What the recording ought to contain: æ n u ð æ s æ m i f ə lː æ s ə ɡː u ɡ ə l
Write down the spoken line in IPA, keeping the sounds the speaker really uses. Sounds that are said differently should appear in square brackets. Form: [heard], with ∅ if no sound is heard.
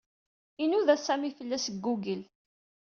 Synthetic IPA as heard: [i] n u ð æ s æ m i f ə lː æ s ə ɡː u ɡ ə l